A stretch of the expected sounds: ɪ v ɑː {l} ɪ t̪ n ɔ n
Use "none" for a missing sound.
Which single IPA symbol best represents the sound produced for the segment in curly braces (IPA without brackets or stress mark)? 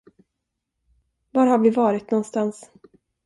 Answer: ɾ